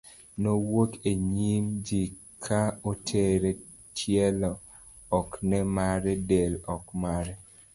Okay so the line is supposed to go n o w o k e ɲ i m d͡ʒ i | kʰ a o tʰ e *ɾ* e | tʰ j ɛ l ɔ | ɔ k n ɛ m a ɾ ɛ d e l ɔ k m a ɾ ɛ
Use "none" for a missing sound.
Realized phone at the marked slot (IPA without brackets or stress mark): ɾ